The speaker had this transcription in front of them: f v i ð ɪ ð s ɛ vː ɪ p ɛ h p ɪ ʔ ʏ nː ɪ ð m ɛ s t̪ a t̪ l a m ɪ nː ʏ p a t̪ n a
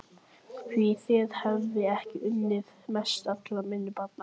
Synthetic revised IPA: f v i θ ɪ ð h ɛ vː ɪ ɛ h c ɪ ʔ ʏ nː ɪ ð m ɛ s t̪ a t̪ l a m ɪ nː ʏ p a t̪ n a